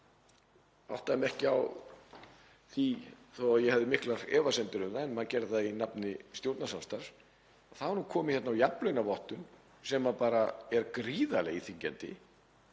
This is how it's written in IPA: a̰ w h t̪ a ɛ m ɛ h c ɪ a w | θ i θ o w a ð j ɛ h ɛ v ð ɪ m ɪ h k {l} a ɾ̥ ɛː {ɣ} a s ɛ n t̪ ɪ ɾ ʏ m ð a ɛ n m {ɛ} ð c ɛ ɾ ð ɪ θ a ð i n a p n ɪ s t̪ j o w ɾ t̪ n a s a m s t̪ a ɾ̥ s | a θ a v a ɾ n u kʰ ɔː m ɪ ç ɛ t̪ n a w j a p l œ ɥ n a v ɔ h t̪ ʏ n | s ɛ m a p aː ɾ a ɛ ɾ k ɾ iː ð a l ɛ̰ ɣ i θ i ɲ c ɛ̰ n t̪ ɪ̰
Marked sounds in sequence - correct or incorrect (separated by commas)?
correct, incorrect, incorrect